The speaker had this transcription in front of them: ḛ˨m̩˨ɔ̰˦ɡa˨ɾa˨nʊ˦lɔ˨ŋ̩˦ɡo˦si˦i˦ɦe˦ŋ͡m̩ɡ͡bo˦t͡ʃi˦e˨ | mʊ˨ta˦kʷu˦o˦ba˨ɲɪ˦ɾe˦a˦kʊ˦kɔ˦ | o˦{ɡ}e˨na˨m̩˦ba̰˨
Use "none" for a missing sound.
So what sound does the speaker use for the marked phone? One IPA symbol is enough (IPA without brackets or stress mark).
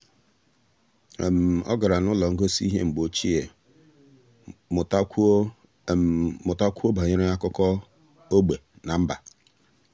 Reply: ɡ͡b